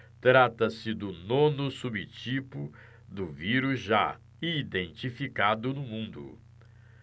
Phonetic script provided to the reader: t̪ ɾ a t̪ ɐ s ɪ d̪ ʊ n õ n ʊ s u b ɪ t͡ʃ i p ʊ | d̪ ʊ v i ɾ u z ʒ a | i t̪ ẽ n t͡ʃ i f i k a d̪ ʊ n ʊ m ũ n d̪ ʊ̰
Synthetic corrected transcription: t̪ ɾ a t̪ ɐ s ɪ d̪ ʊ n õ n ʊ s u b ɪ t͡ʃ i p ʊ | d̪ ʊ v i ɾ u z ʒ a | i d̪ ẽ n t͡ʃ i f i k a d̪ ʊ n ʊ m ũ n d̪ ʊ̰